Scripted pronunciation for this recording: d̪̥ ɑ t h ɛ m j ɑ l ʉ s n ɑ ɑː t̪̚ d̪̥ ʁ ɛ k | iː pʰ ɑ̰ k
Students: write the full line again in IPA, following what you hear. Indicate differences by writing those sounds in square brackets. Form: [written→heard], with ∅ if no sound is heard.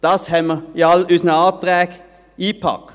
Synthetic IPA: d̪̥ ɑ [t→s] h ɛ m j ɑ l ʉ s n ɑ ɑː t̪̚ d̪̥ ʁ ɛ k | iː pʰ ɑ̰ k